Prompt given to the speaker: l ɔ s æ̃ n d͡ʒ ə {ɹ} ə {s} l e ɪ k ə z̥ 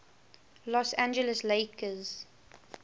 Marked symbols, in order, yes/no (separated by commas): no, yes